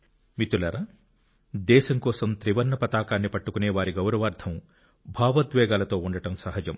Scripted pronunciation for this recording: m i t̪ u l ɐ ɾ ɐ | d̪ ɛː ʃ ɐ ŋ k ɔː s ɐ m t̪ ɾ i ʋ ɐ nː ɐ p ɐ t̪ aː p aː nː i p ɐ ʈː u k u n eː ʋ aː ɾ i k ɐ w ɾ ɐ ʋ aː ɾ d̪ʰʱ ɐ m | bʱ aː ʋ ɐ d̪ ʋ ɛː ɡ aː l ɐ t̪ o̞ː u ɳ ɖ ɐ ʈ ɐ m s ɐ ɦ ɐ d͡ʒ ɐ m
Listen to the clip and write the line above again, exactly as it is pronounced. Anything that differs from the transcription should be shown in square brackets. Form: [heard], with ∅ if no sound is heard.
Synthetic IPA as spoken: m i t̪ u l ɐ ɾ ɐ | d̪ ɛː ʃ ɐ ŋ k ɔː s ɐ m t̪ ɾ i ʋ ɐ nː ɐ p ɐ t̪ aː [k] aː nː i p ɐ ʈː u k u n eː ʋ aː ɾ i [ɡ] ɐ w ɾ ɐ ʋ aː ɾ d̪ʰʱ ɐ m | bʱ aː ʋ ɐ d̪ ʋ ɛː ɡ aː l ɐ t̪ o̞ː u ɳ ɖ ɐ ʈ ɐ m s ɐ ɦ ɐ d͡ʒ ɐ m

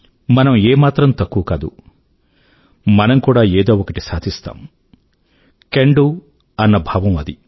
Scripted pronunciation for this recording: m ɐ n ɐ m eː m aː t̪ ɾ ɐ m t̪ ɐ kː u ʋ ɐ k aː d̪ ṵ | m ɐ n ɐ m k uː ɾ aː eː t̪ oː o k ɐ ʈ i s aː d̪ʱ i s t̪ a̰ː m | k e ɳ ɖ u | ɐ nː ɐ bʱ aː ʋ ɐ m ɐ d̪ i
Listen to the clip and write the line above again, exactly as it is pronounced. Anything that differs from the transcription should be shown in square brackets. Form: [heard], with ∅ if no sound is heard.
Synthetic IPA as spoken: m ɐ n ɐ m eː m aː t̪ ɾ ɐ m t̪ ɐ kː u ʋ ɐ k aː d̪ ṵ | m ɐ n ɐ m k uː [ɽ] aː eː [d̪] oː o k ɐ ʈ i s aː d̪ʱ i s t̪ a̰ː m | k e ɳ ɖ u | ɐ nː ɐ bʱ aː ʋ ɐ m ɐ d̪ i

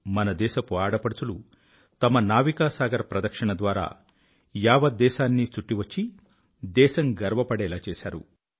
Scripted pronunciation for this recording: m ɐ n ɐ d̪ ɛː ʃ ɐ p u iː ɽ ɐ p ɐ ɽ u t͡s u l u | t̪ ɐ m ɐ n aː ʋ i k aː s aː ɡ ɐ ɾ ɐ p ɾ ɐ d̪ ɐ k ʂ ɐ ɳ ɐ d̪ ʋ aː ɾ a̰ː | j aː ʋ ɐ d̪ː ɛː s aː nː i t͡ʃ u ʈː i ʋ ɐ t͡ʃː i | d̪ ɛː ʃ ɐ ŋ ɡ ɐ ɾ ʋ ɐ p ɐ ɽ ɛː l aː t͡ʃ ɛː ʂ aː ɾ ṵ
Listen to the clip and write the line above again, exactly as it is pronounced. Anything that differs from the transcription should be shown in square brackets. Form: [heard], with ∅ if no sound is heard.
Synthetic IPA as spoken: m ɐ n ɐ d̪ ɛː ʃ ɐ p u [aː] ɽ ɐ p ɐ ɽ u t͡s u l u | t̪ ɐ m ɐ n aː ʋ i k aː s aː ɡ ɐ ɾ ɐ p ɾ ɐ d̪ ɐ k ʂ ɐ ɳ ɐ d̪ ʋ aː ɾ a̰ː | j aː ʋ ɐ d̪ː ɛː [ʃ] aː nː i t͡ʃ u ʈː i ʋ ɐ t͡ʃː i | d̪ ɛː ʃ ɐ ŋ ɡ ɐ ɾ ʋ ɐ p ɐ ɽ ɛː l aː t͡ʃ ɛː [ʃ] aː ɾ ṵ

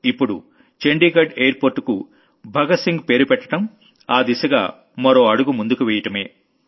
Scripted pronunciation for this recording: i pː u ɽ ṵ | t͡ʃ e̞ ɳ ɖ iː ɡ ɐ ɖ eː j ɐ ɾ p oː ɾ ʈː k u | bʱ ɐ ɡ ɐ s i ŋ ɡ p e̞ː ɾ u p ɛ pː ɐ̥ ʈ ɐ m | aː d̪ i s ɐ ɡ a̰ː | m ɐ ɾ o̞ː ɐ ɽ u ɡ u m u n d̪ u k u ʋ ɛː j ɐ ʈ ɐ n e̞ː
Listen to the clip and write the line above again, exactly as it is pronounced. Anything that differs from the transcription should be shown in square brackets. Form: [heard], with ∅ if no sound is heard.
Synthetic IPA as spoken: i pː u ɽ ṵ | t͡ʃ e̞ ɳ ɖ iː ɡ ɐ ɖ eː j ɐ ɾ p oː ɾ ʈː k u | bʱ ɐ ɡ ɐ s i ŋ ɡ p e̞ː ɾ u p ɛ [ʈː] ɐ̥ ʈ ɐ m | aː d̪ i s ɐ ɡ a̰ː | m ɐ ɾ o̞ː ɐ ɽ u ɡ u m u n d̪ u k u ʋ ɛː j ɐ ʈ ɐ [m] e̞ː

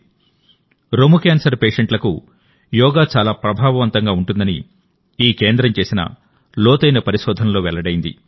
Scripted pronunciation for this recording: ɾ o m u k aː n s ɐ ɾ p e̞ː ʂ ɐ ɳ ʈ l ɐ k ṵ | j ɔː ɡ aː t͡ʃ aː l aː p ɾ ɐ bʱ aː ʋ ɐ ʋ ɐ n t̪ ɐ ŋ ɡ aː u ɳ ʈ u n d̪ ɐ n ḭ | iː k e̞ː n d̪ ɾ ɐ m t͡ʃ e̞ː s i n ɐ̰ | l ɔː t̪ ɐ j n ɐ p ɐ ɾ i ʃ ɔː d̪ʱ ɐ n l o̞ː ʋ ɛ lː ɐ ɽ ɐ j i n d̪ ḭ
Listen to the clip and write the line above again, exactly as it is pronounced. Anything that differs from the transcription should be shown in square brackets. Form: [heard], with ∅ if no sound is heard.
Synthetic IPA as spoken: ɾ o m u k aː n s ɐ ɾ p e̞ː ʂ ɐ ɳ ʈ l ɐ k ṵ | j ɔː ɡ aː t͡ʃ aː l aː p ɾ ɐ bʱ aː ʋ ɐ ʋ ɐ n t̪ ɐ ŋ ɡ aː u ɳ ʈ u n d̪ ɐ n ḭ | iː k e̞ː n d̪ ɾ ɐ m t͡ʃ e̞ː s i n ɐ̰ | l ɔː t̪ ɐ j n ɐ p ɐ ɾ i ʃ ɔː d̪ʱ ɐ n l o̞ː ʋ ɛ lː ɐ ɽ ɐ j i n d̪ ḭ

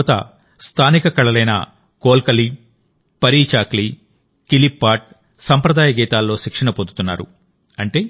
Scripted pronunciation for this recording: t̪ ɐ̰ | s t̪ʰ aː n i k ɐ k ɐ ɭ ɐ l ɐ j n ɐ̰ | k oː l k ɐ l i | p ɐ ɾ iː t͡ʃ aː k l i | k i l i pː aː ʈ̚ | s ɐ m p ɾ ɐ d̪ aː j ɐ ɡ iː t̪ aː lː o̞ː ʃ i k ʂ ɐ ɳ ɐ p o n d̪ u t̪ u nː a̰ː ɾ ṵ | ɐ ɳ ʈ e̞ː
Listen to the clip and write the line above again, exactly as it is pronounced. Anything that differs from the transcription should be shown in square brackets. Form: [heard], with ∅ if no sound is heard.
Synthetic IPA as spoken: t̪ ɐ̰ | s t̪ʰ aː n i k ɐ k ɐ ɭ ɐ l ɐ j n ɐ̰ | k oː l k ɐ l i | p ɐ ɾ iː t͡ʃ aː k l i | k i l i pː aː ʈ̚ | s ɐ m p ɾ ɐ d̪ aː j ɐ ɡ iː t̪ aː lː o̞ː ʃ i k ʂ ɐ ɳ ɐ p o n d̪ u t̪ u nː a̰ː ɾ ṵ | ɐ ɳ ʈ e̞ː

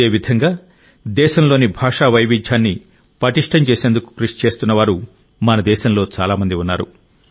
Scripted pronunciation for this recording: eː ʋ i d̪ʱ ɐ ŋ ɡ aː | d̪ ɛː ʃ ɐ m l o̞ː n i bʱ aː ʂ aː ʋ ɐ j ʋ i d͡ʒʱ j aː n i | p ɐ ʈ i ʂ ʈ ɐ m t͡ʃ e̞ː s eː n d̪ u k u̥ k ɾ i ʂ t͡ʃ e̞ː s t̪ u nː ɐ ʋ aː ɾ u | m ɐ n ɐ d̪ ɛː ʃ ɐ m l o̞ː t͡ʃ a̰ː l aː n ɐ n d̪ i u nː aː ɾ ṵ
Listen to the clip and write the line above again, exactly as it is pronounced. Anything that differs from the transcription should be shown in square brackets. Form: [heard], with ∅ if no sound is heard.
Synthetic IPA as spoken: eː ʋ i d̪ʱ ɐ ŋ ɡ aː | d̪ ɛː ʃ ɐ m l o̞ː n i bʱ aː ʂ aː ʋ ɐ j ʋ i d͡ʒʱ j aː [nː] i | p ɐ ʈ i ʂ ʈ ɐ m t͡ʃ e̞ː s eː n d̪ u k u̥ k ɾ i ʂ t͡ʃ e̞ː s t̪ u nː ɐ ʋ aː ɾ u | m ɐ n ɐ d̪ ɛː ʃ ɐ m l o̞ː t͡ʃ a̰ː l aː [m] ɐ n d̪ i u nː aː ɾ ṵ

